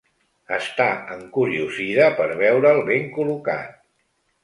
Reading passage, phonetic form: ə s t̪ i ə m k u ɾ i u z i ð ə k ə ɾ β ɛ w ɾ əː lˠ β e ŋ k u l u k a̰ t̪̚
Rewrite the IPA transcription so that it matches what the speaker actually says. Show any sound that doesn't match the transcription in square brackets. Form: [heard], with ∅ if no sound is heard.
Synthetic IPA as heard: ə s t̪ [a] ə [ŋ] k u ɾ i u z i ð ə [p] ə ɾ β ɛ w ɾ əː lˠ β e ŋ k u l u k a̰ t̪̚